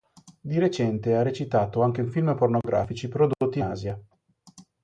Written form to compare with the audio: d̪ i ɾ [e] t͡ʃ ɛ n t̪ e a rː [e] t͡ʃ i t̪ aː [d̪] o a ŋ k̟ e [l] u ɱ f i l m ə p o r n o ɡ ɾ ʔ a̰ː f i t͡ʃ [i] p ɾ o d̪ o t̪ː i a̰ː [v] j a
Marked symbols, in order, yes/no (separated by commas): yes, yes, no, no, yes, no